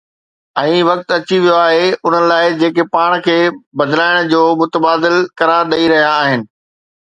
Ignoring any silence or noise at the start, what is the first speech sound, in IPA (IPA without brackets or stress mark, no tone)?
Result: ɛ̃ː